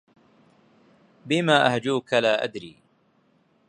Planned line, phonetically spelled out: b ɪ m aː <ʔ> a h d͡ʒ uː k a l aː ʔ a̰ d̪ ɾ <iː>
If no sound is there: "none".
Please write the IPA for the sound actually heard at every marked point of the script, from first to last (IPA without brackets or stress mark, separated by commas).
ʔ, iː